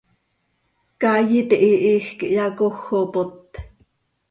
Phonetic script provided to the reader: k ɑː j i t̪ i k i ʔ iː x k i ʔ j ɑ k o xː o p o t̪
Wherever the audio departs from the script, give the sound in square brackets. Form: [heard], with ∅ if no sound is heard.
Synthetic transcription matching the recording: k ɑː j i t̪ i [ʔ] i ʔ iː x k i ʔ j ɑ k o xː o p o t̪